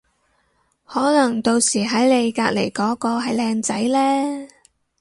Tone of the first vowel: rising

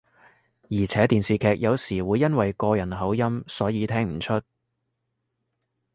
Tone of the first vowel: low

